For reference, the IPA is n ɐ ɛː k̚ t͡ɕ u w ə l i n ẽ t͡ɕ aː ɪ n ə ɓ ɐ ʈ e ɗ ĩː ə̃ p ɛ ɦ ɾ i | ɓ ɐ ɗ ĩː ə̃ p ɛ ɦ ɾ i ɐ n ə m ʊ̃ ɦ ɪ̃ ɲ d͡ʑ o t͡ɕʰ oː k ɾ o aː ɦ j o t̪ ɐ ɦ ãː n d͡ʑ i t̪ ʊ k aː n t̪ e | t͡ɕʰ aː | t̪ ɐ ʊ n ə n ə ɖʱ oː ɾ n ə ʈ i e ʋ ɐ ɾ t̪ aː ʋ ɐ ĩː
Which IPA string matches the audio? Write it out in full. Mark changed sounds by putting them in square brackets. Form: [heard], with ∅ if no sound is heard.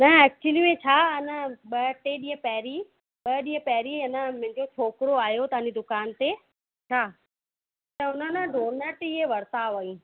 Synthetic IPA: n ɐ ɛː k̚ t͡ɕ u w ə l i [m] ẽ [t͡ɕʰ] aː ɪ n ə ɓ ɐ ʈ e ɗ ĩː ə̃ p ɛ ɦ ɾ i | ɓ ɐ ɗ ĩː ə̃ p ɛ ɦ ɾ i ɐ n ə m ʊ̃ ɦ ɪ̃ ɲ d͡ʑ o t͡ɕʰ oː k ɾ o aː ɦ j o t̪ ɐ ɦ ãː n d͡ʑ i [d̪] ʊ k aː n t̪ e | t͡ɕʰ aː | t̪ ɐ ʊ n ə n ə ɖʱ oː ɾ n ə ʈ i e ʋ ɐ ɾ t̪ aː ʋ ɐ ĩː